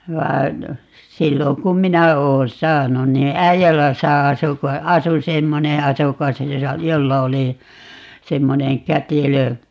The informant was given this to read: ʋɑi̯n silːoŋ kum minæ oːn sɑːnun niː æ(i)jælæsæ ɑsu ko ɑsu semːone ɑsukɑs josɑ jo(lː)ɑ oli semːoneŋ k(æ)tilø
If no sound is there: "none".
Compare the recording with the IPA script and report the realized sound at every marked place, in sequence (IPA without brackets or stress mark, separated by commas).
i, lː, æ